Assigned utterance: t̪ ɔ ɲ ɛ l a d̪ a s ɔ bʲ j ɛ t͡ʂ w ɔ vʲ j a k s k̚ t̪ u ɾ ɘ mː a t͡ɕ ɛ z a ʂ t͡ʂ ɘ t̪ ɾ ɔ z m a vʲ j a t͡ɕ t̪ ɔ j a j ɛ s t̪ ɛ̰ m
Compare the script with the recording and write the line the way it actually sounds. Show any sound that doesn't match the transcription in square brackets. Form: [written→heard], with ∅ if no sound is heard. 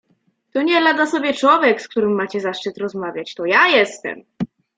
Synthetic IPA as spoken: t̪ ɔ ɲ ɛ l a d̪ a s ɔ bʲ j ɛ t͡ʂ w ɔ vʲ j [a→ɛ] k s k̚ t̪ u ɾ ɘ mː a t͡ɕ ɛ z a ʂ t͡ʂ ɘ t̪ ɾ ɔ z m a vʲ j a t͡ɕ t̪ ɔ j a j ɛ s t̪ ɛ̰ m